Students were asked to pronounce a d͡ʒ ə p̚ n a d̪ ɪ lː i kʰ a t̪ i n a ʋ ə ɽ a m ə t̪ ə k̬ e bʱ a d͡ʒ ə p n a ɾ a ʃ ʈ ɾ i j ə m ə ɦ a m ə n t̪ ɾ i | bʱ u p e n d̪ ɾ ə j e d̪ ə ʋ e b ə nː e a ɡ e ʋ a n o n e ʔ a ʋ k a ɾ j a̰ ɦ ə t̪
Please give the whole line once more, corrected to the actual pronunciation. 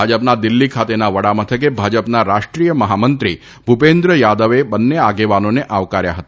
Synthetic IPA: a d͡ʒ ə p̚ n a d̪ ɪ lː i kʰ a t̪ e n a ʋ ə ɽ a m ə t̪ʰ ə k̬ e bʱ a d͡ʒ ə p n a ɾ a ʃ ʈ ɾ i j ə m ə ɦ a m ə n t̪ ɾ i | bʱ u p e n d̪ ɾ ə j a d̪ ə ʋ e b ə nː e a ɡ e ʋ a n o n e ʔ a ʋ k a ɾ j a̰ ɦ ə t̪